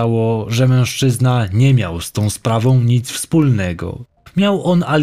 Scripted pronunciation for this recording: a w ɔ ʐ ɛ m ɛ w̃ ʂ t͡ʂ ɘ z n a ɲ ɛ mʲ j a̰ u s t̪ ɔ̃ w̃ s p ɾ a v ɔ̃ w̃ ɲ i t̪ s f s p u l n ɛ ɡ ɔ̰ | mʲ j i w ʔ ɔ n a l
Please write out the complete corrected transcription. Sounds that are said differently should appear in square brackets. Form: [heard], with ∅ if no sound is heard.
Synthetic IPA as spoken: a w ɔ ʐ ɛ m [ɛ̃] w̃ ʂ t͡ʂ ɘ z n a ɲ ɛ mʲ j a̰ [w] s t̪ ɔ̃ w̃ s p ɾ a v ɔ̃ w̃ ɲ i t̪ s f s p u l n ɛ ɡ ɔ̰ | mʲ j [a] w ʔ ɔ n a l